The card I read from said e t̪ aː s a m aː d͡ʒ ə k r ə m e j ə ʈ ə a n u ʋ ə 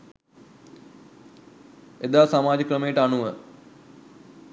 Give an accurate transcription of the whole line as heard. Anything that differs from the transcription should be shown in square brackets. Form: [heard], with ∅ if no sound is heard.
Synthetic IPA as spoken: e [d̪] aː s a m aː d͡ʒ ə k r ə m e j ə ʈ ə a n u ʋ ə